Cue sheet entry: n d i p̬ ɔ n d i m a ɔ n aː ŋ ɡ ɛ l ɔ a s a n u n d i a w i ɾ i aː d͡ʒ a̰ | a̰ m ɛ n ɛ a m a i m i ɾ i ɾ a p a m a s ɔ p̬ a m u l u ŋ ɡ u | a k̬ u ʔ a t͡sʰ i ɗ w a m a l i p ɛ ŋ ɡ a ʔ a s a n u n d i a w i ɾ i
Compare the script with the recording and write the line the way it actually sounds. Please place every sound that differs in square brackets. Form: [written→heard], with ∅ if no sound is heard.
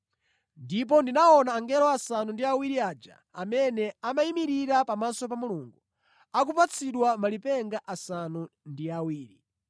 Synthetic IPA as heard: n d i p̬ ɔ n d i [m→n] a ɔ n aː ŋ ɡ ɛ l ɔ a s a n u n d i a w i ɾ i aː d͡ʒ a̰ | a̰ m ɛ n ɛ a m a i m i ɾ i ɾ a p a m a s ɔ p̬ a m u l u ŋ ɡ u | a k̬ u [ʔ→p] a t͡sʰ i ɗ w a m a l i p ɛ ŋ ɡ a ʔ a s a n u n d i a w [i→iː] ɾ i